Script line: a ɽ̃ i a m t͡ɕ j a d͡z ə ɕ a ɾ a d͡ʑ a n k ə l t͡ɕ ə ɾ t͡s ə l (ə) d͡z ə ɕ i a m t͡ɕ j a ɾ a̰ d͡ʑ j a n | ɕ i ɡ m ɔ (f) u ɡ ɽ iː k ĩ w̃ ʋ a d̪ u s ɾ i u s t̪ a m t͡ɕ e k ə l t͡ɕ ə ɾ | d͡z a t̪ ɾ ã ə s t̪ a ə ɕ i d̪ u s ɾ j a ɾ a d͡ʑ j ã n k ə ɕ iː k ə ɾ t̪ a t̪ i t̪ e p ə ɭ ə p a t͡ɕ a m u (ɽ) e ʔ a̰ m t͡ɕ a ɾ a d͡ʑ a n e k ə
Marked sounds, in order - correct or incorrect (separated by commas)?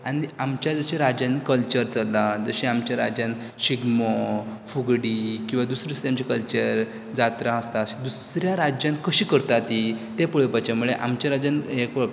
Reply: incorrect, correct, incorrect